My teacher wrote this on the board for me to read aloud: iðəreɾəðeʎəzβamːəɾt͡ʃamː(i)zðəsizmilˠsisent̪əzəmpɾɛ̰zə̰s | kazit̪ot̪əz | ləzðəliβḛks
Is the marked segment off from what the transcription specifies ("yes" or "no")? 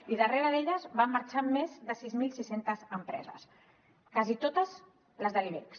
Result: yes